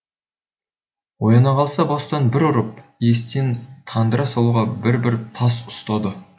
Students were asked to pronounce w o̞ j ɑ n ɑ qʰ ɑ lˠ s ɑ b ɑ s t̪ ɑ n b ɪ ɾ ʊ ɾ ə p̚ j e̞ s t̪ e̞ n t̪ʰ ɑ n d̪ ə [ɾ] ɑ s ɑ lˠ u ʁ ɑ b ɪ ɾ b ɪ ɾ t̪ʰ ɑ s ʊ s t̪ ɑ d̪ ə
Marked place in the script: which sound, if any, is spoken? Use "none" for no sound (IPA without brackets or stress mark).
ɾ